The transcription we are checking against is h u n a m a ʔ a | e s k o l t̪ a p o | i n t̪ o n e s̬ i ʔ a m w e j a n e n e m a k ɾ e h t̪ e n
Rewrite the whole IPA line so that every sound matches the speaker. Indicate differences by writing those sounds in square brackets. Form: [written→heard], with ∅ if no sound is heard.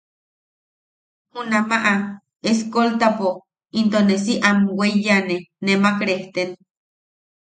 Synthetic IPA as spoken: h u n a m a ʔ a | e s k o l t̪ a p o | i n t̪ o n e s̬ i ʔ a m w e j a n e n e m a k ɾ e h t̪ e n